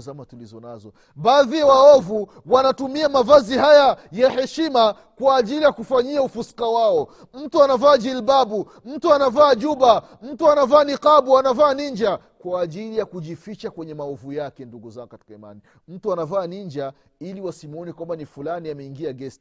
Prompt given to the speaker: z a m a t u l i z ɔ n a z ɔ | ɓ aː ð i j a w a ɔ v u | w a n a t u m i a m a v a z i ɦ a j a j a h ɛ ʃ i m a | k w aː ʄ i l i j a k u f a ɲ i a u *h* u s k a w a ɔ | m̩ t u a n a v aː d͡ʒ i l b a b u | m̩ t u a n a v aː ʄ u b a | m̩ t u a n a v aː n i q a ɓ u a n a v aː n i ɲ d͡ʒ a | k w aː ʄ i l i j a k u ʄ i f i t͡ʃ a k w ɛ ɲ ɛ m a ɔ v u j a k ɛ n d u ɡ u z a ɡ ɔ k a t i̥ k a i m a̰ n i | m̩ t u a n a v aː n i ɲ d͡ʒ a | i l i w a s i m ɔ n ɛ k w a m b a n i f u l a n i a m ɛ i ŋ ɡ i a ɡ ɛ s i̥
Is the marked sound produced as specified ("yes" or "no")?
no